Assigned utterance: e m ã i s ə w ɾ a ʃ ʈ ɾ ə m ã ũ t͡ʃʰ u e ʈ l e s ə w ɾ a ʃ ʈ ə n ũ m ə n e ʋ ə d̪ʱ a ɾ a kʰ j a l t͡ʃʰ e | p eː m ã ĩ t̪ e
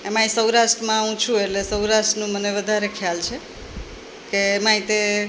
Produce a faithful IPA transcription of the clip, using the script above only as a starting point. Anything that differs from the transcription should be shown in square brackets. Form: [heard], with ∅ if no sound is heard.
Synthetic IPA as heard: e m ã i s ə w ɾ a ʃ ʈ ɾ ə m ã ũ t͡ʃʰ u e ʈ l e s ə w ɾ a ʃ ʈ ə n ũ m ə n e ʋ ə d̪ʱ a ɾ [e] kʰ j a l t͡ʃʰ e | [k] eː m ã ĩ t̪ e

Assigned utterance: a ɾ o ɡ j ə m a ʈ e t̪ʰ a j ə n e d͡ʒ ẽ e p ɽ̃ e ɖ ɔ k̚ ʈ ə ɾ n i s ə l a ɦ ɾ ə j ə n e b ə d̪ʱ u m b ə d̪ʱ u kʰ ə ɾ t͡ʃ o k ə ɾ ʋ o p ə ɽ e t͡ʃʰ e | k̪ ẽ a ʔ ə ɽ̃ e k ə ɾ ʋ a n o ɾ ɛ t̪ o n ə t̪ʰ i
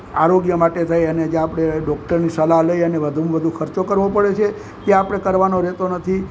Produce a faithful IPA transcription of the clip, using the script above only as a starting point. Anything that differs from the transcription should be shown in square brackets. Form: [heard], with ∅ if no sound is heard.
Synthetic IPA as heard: a ɾ o ɡ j ə m a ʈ e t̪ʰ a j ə n e d͡ʒ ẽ [a] p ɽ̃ e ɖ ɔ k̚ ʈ ə ɾ n i s ə l a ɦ [l] ə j ə n e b ə d̪ʱ u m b ə d̪ʱ u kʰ ə ɾ t͡ʃ o k ə ɾ ʋ o p ə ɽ e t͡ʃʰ e | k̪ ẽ a [p] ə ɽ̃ e k ə ɾ ʋ a n o ɾ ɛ t̪ o n ə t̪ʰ i

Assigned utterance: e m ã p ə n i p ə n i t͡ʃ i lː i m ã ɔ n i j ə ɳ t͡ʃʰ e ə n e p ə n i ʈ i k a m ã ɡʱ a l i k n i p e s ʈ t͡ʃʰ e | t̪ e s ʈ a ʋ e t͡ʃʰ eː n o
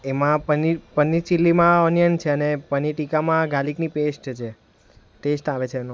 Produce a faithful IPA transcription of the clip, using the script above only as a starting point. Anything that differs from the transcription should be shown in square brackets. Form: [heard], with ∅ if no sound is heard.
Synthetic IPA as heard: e m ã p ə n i p ə n i t͡ʃ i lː i m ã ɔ n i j ə [n] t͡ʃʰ e ə n e p ə n i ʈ i k a m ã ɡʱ a l i k n i p e s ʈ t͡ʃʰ e | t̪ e s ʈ a ʋ e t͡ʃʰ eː n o

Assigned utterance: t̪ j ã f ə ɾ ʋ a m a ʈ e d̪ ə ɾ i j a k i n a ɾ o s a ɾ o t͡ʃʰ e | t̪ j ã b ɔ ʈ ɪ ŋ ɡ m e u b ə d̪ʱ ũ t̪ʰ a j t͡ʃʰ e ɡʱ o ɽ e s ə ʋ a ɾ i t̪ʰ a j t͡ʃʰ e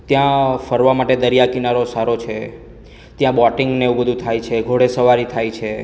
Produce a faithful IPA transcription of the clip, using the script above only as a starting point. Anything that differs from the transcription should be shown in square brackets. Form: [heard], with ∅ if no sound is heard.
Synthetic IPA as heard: t̪ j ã f ə ɾ ʋ a m a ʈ e d̪ ə ɾ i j a k i n a ɾ o s a ɾ o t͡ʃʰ e | t̪ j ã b ɔ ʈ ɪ ŋ ɡ [n] e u b ə d̪ʱ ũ t̪ʰ a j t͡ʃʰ e ɡʱ o ɽ e s ə ʋ a ɾ i t̪ʰ a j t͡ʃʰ e

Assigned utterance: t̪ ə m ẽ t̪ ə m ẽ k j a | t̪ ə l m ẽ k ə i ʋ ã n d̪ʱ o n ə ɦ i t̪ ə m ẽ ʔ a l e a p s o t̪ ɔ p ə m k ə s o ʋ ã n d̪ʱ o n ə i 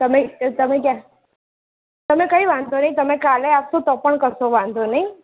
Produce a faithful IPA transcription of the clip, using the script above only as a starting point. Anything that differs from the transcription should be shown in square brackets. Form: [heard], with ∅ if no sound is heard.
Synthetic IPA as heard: t̪ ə m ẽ t̪ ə m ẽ k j a | t̪ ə [∅] m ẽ k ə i ʋ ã n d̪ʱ o n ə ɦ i t̪ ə m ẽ [k] a l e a p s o t̪ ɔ p ə [ɳ] k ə s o ʋ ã n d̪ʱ o n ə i

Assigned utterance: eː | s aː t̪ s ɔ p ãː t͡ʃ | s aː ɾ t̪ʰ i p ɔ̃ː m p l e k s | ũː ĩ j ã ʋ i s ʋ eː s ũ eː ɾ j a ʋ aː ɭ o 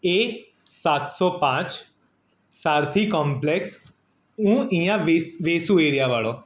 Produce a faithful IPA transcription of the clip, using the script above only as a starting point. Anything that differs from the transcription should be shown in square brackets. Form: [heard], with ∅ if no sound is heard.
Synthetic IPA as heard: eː | s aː t̪ s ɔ p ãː t͡ʃ | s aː ɾ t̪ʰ i [k] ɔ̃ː m p l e k s | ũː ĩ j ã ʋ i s ʋ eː s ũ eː ɾ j a ʋ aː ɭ o

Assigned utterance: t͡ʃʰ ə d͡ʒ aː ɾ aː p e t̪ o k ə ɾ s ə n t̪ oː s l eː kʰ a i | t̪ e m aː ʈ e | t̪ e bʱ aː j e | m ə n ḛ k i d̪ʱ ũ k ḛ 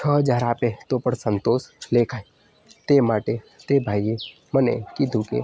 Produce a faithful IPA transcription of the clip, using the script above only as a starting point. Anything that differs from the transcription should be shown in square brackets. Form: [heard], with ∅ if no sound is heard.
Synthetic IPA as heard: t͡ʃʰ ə d͡ʒ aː ɾ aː p e t̪ o [p] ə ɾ s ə n t̪ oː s l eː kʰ a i | t̪ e m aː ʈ e | t̪ e bʱ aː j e | m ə n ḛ k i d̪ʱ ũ k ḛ

